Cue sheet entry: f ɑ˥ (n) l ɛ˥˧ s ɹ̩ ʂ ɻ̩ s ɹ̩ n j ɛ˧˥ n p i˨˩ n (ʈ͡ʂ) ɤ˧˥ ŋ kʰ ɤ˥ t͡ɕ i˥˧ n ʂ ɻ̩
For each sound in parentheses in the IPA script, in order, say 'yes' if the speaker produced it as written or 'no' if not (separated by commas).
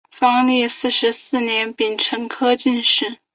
no, no